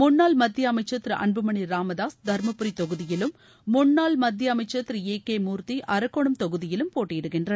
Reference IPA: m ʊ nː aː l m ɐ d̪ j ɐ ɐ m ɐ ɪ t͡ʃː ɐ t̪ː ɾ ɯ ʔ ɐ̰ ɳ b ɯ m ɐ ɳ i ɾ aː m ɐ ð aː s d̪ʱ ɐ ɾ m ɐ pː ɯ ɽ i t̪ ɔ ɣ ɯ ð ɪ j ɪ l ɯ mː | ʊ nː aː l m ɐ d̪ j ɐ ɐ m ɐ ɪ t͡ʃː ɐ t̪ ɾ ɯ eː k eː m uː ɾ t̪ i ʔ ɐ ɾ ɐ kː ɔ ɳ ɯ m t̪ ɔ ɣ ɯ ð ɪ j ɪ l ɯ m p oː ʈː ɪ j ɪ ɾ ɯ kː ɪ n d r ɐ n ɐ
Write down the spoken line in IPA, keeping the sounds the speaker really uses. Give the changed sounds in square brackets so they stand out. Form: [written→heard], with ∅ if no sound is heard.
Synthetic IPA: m ʊ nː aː l m ɐ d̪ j ɐ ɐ m ɐ ɪ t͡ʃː ɐ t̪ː ɾ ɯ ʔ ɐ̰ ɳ b ɯ m ɐ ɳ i ɾ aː m ɐ ð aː s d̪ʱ ɐ ɾ m ɐ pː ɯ [ɽ→ɾ] i t̪ ɔ ɣ ɯ ð ɪ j ɪ l ɯ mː | ʊ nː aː l m ɐ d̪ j ɐ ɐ m ɐ ɪ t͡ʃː ɐ t̪ ɾ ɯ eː k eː m uː ɾ t̪ i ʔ ɐ ɾ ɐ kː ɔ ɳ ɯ m t̪ ɔ ɣ ɯ ð ɪ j ɪ l ɯ m p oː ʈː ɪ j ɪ [ɾ→ɽ] ɯ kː ɪ n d r ɐ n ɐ